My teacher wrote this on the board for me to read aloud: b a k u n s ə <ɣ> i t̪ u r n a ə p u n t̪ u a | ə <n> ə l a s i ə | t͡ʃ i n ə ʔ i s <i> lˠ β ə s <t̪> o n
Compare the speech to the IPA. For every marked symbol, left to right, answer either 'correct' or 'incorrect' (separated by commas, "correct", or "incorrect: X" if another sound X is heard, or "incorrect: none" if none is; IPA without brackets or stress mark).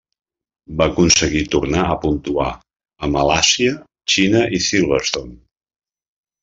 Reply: correct, incorrect: m, correct, correct